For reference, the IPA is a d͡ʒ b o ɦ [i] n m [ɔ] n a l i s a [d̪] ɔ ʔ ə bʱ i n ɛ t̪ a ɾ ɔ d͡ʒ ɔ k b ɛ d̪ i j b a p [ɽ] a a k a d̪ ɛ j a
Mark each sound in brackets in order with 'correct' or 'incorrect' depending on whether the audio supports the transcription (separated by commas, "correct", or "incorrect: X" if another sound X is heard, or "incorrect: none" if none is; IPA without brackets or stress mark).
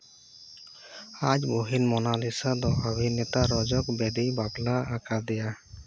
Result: correct, correct, correct, incorrect: l